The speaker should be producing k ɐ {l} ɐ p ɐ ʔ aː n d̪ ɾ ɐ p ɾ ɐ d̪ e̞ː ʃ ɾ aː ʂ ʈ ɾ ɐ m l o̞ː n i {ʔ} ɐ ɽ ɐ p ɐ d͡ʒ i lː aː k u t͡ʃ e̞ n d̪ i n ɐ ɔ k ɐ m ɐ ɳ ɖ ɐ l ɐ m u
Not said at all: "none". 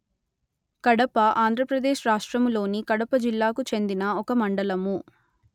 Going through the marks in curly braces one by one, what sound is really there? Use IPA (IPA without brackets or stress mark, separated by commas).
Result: ɽ, k